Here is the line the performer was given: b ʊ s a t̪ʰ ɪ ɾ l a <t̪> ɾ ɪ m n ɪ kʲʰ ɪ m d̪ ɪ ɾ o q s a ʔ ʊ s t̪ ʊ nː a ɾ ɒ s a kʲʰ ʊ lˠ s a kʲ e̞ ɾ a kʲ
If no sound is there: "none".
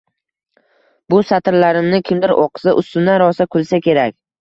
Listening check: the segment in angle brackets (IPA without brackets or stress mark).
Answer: none